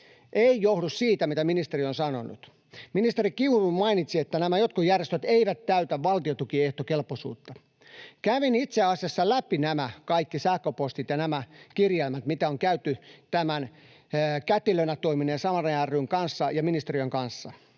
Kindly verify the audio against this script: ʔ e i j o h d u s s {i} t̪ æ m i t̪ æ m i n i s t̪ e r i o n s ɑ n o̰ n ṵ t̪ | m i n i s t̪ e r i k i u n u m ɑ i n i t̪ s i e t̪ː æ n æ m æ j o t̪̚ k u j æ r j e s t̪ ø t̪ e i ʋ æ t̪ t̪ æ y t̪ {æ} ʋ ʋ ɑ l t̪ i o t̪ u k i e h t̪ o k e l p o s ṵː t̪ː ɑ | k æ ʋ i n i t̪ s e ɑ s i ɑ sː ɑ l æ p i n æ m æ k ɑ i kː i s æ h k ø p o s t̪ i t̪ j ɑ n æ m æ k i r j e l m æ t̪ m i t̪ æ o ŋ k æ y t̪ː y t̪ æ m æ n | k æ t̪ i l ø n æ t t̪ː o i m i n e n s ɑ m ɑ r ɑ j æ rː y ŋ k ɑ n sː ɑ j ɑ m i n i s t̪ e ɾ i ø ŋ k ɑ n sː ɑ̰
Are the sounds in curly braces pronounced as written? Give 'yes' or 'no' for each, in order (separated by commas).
no, yes